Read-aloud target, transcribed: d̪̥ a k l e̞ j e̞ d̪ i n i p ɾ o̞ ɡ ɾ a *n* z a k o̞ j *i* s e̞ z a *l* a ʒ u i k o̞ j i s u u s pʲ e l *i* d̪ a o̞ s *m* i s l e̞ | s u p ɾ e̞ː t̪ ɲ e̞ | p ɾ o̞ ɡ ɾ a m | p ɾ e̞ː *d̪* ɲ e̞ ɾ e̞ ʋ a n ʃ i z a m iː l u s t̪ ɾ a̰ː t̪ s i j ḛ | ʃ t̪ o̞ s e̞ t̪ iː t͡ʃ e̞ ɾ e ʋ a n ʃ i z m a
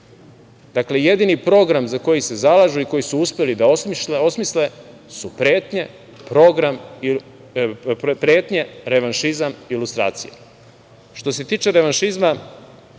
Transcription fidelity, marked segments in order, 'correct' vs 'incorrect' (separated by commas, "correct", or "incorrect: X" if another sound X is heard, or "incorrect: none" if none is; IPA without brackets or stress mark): incorrect: m, correct, correct, correct, correct, incorrect: t̪